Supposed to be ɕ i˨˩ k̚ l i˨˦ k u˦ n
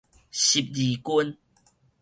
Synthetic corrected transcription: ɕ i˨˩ p̚ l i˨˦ k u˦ n